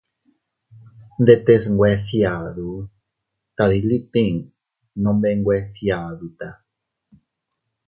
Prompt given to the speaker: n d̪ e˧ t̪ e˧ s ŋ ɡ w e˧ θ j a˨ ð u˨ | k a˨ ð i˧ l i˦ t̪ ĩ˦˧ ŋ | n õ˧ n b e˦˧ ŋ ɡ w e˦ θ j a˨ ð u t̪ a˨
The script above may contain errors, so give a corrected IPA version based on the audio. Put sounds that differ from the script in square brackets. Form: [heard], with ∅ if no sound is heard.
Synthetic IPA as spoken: n d̪ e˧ t̪ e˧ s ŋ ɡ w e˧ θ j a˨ ð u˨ | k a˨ ð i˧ l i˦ t̪ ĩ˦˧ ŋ | n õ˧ [m] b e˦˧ ŋ ɡ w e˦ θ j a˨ ð u t̪ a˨